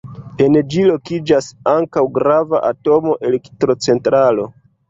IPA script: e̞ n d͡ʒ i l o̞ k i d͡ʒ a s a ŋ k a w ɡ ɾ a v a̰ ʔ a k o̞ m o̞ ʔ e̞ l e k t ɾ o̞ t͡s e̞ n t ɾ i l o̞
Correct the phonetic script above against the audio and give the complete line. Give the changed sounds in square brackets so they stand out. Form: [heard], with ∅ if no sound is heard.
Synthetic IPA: e̞ n d͡ʒ i l o̞ k i d͡ʒ a s a ŋ k a w ɡ ɾ a v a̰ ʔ a [t] o̞ m o̞ ʔ e̞ l e k t ɾ o̞ t͡s e̞ n t ɾ [a] l o̞